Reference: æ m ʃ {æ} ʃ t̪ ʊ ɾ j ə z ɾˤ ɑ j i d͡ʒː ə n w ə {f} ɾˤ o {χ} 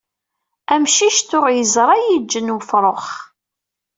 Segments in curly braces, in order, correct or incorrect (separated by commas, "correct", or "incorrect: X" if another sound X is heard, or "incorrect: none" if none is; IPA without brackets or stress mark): incorrect: i, correct, correct